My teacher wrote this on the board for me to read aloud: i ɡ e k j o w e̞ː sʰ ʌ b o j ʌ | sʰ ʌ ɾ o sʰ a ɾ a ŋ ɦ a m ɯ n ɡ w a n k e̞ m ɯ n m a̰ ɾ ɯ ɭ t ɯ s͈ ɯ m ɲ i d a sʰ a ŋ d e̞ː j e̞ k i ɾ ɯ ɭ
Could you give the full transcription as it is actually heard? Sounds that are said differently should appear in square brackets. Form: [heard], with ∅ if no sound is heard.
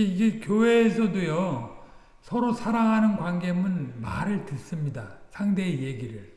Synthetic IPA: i ɡ e k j o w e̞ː sʰ ʌ [d] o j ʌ | sʰ ʌ ɾ o sʰ a ɾ a ŋ ɦ a [n] ɯ n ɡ w a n [ɡ] e̞ m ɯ n m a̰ ɾ ɯ ɭ t ɯ s͈ ɯ m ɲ i d a sʰ a ŋ d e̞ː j e̞ [ɡ] i ɾ ɯ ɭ